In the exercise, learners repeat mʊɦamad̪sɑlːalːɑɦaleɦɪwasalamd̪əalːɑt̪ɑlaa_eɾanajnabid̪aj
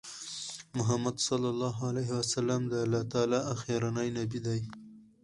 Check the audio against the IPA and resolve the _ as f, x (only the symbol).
x